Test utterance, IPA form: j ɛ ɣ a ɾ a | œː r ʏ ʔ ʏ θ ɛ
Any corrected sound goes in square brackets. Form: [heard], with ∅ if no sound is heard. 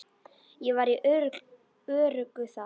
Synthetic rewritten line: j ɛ [v] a ɾ [i] | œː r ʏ [k] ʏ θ [a]